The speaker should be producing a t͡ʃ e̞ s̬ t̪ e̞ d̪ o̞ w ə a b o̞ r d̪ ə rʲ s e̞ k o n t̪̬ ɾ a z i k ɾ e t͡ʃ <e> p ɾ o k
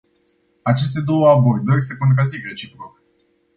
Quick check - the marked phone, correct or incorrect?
incorrect: i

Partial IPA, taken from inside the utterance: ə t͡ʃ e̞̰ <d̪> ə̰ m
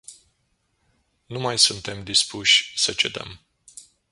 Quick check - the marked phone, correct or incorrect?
correct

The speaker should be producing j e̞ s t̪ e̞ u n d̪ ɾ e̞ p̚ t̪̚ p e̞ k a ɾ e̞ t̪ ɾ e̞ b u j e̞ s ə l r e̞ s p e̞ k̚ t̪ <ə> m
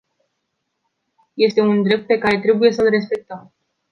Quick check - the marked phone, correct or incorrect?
correct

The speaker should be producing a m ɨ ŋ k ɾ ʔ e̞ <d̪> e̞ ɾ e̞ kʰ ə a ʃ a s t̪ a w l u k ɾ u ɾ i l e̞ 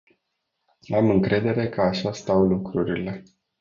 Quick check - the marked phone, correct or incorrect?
correct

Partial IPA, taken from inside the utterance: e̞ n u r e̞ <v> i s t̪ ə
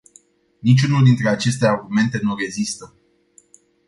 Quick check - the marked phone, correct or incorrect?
incorrect: z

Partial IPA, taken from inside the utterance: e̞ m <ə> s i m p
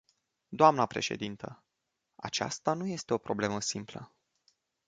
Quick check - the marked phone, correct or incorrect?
correct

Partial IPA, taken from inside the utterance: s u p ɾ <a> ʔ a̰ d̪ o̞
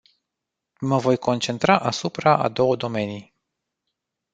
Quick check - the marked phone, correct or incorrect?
correct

